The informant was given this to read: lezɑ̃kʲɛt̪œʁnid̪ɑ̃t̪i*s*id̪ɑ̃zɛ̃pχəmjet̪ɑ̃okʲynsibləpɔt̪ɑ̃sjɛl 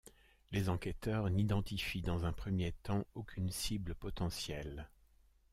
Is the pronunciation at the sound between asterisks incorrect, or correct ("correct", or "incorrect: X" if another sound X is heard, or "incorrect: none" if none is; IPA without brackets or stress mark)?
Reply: incorrect: f